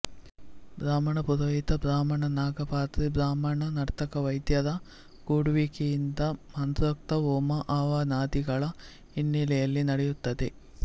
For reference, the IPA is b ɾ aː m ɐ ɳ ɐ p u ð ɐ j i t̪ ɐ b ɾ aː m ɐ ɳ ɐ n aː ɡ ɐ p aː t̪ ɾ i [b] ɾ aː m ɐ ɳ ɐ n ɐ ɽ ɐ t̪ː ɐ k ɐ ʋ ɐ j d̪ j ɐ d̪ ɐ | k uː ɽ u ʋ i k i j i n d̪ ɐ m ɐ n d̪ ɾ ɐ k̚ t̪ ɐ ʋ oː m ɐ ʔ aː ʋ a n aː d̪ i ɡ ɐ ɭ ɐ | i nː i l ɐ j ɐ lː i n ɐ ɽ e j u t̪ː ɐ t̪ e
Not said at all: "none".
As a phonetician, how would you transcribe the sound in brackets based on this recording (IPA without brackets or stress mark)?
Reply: b